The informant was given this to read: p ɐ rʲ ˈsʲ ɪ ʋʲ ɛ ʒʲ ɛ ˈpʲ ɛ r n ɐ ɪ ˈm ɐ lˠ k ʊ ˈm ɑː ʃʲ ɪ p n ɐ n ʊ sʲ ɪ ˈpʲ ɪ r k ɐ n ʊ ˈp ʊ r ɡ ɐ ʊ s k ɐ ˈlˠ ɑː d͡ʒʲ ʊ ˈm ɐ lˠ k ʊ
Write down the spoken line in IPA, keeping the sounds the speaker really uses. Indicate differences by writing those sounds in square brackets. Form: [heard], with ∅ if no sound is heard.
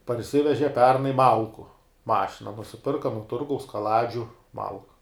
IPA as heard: p ɐ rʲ ˈsʲ ɪ ʋʲ ɛ ʒʲ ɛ ˈpʲ ɛ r n ɐ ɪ ˈm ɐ lˠ k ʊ ˈm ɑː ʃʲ ɪ [∅] n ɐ n ʊ sʲ ɪ ˈpʲ ɪ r k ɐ n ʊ [ˈt] ʊ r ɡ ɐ ʊ s k ɐ ˈlˠ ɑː d͡ʒʲ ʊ ˈm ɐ lˠ k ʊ